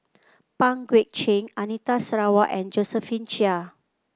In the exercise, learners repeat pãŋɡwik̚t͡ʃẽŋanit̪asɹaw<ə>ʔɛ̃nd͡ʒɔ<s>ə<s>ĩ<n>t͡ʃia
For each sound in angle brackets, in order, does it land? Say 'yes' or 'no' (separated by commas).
no, yes, no, yes